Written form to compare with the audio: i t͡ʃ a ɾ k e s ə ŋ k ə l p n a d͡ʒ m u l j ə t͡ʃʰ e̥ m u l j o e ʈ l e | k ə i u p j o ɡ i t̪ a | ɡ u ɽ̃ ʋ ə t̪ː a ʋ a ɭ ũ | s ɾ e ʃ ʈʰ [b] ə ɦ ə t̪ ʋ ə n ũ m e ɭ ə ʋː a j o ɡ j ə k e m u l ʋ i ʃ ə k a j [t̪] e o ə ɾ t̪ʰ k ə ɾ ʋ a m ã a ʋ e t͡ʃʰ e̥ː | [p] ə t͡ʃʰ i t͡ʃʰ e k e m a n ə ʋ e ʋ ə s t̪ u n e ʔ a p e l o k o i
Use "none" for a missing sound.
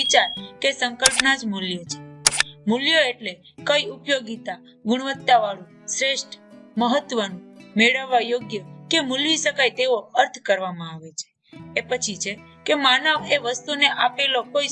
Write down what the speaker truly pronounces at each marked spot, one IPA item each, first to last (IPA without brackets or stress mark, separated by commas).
m, t̪, p